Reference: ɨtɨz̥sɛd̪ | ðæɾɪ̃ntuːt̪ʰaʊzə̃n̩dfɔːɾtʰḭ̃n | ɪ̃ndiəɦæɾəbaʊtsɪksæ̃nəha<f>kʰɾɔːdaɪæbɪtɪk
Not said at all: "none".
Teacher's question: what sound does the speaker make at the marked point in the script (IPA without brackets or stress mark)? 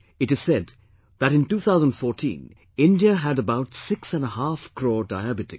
f